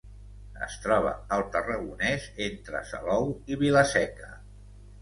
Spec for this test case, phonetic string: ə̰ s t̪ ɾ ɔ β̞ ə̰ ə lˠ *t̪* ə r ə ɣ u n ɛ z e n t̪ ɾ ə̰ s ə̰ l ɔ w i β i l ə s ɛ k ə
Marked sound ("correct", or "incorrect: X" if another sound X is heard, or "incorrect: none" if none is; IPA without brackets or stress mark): correct